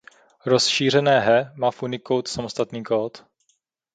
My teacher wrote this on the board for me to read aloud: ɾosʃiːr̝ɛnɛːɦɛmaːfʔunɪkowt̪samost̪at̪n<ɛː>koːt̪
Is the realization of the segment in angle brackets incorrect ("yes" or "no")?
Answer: yes